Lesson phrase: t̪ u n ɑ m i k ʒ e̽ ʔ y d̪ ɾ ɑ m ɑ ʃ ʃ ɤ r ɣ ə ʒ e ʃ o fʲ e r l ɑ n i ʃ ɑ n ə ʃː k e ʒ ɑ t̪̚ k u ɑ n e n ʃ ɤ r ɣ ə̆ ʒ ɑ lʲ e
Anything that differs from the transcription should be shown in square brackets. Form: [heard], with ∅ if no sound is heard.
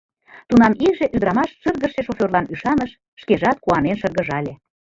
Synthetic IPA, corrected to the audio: t̪ u n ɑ m i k ʒ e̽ ʔ y d̪ ɾ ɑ m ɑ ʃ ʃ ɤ r ɣ ə [ʃ] e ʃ o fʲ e r l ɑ n [y] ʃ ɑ n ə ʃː k e ʒ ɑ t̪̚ k u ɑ n e n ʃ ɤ r ɣ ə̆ ʒ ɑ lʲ e